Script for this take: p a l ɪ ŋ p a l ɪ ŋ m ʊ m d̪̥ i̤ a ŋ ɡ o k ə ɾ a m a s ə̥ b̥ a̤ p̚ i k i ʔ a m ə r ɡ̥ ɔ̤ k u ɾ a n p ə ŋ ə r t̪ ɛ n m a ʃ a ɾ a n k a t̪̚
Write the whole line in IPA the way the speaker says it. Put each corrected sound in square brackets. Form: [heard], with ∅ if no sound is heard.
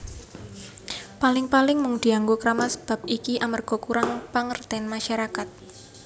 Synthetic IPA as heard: p a l ɪ ŋ p a l ɪ ŋ m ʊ [ŋ] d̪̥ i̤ a ŋ ɡ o k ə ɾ a m a s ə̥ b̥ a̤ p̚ i k i ʔ a m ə r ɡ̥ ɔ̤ k u ɾ a [ŋ] p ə ŋ ə r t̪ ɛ n m a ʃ a ɾ a [∅] k a t̪̚